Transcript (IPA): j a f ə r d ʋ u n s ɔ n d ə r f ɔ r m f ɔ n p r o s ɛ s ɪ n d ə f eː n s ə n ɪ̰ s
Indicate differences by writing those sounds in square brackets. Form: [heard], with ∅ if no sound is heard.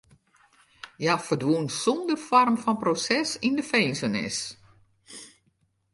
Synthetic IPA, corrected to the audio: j a f ə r d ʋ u n s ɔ n d ə r f ɔ r m f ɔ n p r o s ɛ s [i] n d ə f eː n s ə n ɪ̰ s